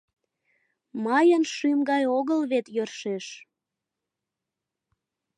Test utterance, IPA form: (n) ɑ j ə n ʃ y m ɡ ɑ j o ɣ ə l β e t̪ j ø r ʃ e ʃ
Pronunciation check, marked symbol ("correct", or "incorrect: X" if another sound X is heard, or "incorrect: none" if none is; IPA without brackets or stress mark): incorrect: m